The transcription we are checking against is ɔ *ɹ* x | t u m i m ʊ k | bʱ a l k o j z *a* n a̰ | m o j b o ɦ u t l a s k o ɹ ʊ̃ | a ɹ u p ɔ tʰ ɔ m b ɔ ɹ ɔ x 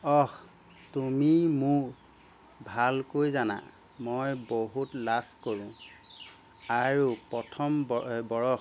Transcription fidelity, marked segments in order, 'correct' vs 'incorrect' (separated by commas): incorrect, correct